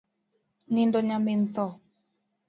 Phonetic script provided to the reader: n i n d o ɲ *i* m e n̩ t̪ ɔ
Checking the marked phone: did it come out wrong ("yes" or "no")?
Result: yes